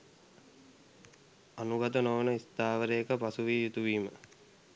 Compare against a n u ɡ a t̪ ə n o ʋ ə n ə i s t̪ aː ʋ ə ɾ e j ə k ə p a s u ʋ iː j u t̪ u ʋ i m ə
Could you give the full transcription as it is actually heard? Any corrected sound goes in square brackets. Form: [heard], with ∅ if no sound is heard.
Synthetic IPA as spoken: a n u ɡ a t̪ ə n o ʋ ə n ə i s t̪ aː ʋ ə ɾ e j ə k ə p a s u ʋ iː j u t̪ u ʋ [iː] m ə